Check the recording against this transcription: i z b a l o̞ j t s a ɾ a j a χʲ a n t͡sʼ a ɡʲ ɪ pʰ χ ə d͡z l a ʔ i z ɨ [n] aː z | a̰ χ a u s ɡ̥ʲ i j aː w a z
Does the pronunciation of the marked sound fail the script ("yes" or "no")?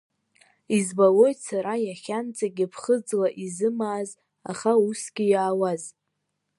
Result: yes